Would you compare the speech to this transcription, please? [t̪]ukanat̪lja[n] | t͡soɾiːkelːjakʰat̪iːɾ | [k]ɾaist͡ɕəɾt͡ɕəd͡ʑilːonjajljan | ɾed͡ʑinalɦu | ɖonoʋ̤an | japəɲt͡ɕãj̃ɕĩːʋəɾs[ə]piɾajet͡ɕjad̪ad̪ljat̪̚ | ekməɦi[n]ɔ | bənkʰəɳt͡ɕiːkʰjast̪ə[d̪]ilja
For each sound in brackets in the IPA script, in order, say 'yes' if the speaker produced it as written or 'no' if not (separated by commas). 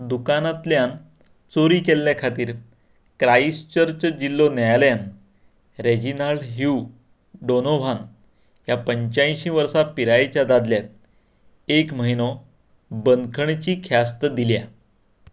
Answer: no, yes, yes, no, yes, yes